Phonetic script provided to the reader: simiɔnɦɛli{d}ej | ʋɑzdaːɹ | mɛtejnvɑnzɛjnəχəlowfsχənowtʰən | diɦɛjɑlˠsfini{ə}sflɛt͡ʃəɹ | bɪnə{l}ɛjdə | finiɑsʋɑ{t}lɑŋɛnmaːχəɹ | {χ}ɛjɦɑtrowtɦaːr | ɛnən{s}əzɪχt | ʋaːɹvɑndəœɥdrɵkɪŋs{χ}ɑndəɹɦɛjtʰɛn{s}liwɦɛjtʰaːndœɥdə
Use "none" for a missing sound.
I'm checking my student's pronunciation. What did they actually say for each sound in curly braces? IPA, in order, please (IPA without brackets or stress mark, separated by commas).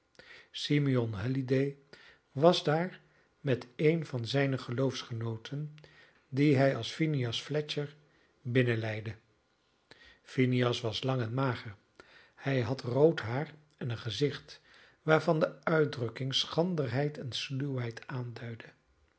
d, ɑ, l, s, h, χ, χ, s